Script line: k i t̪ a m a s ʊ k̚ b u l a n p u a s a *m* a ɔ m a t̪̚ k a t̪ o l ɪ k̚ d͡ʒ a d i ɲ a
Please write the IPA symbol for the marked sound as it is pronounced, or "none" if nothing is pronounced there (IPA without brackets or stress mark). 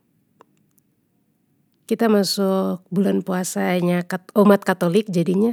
ɲ